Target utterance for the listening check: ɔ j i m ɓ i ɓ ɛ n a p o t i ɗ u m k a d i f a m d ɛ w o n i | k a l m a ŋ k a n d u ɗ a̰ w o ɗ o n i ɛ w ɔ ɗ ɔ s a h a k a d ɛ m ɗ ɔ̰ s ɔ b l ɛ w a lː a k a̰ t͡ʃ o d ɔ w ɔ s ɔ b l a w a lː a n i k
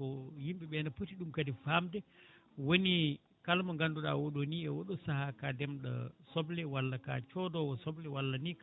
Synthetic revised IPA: ɔ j i m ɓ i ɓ ɛ n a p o t i ɗ u m k a d i f a m d ɛ w o n i | k a l m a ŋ ɡ a n d u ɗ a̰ w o ɗ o n i ɛ w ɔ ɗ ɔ s a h a k a d ɛ m ɗ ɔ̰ s ɔ b l ɛ w a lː a k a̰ t͡ʃ ɔ d ɔ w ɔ s ɔ b l ɛ w a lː a n i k